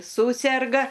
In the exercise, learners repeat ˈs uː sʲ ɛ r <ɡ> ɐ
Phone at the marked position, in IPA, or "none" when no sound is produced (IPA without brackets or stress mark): ɡ